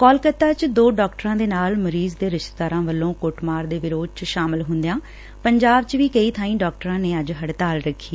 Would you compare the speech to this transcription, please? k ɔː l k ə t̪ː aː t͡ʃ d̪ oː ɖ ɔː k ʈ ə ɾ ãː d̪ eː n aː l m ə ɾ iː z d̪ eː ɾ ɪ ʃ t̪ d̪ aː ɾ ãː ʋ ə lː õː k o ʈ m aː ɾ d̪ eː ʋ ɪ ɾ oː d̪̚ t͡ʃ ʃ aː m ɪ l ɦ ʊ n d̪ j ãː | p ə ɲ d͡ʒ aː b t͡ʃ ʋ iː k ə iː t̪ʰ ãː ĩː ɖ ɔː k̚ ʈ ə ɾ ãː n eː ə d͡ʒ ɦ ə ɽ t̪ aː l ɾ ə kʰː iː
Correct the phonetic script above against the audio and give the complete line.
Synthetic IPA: k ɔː l k ə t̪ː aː t͡ʃ d̪ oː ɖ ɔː k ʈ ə ɾ ãː d̪ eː n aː l m ə ɾ iː z d̪ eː ɾ ɪ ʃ t̪ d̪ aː ɾ ãː ʋ ə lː õː k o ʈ m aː ɾ d̪ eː ʋ ɪ ɾ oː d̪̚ t͡ʃ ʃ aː m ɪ l ɦ ʊ n d̪ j ãː | p ə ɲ d͡ʒ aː b t͡ʃ ʋ iː k ə iː t̪ʰ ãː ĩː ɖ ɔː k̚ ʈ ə ɾ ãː n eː ə d͡ʒ ɦ ə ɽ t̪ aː l ɾ ə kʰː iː